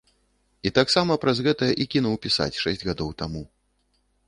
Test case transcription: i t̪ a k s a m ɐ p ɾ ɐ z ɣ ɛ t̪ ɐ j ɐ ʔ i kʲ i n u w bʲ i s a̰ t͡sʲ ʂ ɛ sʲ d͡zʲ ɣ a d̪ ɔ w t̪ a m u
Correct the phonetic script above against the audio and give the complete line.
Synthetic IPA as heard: i t̪ a k s a m ɐ p ɾ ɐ z ɣ ɛ t̪ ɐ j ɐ ʔ i kʲ i n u w pʲ i s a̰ t͡sʲ ʂ ɛ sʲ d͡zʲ ɣ a d̪ ɔ w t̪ a m u